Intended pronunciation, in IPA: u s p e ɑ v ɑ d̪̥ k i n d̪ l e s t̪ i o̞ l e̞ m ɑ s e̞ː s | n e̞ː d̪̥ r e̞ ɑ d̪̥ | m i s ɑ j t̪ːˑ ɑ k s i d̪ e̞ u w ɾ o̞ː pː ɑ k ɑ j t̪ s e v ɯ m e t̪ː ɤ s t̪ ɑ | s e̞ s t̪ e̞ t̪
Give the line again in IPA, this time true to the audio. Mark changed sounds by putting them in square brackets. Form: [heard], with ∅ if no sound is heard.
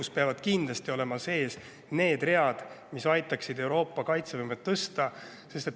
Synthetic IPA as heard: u s p e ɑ v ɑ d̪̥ k i n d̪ l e s t̪ i o̞ l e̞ m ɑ s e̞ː s | n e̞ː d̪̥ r e̞ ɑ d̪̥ | m i s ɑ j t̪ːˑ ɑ k s i d̪ e̞ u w ɾ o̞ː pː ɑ k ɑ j t̪ s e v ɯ m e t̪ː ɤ s t̪ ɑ | s e̞ s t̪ e̞ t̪